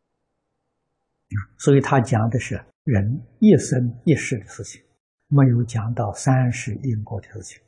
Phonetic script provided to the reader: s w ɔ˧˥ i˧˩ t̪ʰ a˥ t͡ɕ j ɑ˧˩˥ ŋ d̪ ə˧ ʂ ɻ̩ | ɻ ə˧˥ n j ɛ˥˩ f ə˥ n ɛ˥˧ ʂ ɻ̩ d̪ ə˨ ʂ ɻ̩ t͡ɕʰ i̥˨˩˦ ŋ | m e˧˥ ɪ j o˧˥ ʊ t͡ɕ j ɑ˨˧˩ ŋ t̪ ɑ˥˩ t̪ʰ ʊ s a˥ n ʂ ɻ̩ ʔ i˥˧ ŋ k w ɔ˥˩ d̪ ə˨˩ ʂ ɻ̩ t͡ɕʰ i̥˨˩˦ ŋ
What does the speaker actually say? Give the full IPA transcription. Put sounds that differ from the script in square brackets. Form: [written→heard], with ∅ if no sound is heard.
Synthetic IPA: s w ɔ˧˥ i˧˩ t̪ʰ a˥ t͡ɕ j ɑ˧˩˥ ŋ d̪ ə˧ ʂ ɻ̩ | ɻ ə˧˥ n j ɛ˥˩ [f→s] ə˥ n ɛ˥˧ ʂ ɻ̩ d̪ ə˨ ʂ ɻ̩ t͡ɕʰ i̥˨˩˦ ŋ | m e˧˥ ɪ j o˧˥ ʊ t͡ɕ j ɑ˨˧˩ ŋ t̪ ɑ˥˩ [t̪ʰ→∅] ʊ s a˥ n ʂ ɻ̩ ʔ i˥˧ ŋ k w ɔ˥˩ d̪ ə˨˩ ʂ ɻ̩ t͡ɕʰ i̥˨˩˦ ŋ